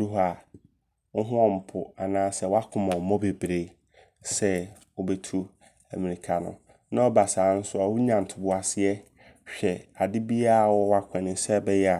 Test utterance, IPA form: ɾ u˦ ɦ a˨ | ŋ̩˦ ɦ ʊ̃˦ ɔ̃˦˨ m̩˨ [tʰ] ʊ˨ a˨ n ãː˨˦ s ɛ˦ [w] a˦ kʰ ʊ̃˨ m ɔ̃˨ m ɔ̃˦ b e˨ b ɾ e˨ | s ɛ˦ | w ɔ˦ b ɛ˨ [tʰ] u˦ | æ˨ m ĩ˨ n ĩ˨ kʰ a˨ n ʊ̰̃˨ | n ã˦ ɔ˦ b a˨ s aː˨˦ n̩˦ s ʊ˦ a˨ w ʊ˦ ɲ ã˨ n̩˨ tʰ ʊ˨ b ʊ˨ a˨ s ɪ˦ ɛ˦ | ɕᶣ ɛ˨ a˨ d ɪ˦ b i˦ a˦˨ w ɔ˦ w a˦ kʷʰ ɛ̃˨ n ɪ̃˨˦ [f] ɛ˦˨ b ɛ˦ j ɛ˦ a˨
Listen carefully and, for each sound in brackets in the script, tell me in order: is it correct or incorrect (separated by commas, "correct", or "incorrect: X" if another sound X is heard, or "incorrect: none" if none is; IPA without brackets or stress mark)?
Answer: incorrect: pʰ, correct, correct, incorrect: s